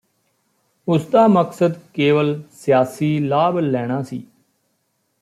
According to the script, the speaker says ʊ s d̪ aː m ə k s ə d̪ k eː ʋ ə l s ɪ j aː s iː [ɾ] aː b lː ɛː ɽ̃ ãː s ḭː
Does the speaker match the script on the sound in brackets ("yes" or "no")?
no